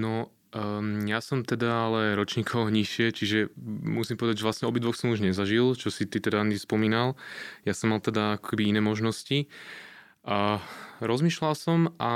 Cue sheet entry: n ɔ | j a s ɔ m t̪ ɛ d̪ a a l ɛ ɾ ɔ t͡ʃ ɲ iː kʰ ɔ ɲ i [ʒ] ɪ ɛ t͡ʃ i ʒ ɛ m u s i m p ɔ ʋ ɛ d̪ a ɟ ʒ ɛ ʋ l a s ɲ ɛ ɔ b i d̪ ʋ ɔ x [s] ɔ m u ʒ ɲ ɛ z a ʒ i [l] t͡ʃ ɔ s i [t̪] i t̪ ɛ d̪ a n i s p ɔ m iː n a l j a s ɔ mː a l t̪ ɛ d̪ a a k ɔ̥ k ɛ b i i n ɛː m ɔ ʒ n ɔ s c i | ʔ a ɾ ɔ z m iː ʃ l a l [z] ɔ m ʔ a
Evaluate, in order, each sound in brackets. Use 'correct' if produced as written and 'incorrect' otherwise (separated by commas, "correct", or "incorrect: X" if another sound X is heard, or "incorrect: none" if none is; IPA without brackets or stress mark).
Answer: incorrect: ʃ, correct, correct, correct, incorrect: s